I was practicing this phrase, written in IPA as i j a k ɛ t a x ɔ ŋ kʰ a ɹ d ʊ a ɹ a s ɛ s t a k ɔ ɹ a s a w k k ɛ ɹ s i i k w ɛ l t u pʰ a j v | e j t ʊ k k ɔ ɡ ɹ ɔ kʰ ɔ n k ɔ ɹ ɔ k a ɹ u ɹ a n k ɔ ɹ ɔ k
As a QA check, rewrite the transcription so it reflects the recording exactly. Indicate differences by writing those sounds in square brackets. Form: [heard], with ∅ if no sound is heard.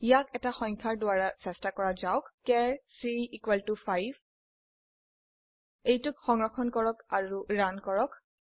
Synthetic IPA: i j a k ɛ t a x ɔ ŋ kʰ a ɹ d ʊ a ɹ a s ɛ s t a k ɔ ɹ a [z] a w k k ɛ ɹ s i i k w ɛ l t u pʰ a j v | e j t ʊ k [x] ɔ [ŋ] ɹ ɔ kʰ ɔ n k ɔ ɹ ɔ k a ɹ u ɹ a n k ɔ ɹ ɔ k